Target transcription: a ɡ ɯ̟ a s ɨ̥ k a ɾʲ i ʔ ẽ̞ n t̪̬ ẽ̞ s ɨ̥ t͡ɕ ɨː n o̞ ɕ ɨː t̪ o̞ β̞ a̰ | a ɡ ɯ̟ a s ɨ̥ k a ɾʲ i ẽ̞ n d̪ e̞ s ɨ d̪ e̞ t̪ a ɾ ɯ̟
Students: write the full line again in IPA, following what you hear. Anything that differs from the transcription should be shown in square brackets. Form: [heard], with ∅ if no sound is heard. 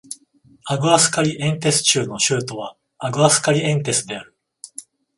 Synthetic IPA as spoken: a ɡ ɯ̟ a s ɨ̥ k a ɾʲ i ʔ ẽ̞ n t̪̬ [e̞] s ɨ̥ t͡ɕ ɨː n o̞ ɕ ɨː t̪ o̞ β̞ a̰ | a ɡ ɯ̟ a s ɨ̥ k a ɾʲ i ẽ̞ n [t̪] e̞ s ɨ d̪ e̞ [∅] a ɾ ɯ̟